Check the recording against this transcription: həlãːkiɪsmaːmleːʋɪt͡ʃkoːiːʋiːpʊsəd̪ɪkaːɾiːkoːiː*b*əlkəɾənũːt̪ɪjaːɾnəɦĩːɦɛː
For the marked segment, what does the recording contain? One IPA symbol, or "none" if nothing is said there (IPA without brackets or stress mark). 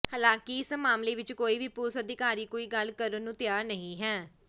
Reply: ɡ